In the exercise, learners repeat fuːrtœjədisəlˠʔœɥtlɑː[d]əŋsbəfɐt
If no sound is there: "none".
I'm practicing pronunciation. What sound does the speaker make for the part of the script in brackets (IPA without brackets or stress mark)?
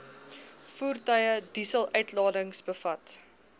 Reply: d